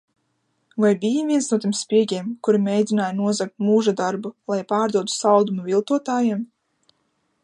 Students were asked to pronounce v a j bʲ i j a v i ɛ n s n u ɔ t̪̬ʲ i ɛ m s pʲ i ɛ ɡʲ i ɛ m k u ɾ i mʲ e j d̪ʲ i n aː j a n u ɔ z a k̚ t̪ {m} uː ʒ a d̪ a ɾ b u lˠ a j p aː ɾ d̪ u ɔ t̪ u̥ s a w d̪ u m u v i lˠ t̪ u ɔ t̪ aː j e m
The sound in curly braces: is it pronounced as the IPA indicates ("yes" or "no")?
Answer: yes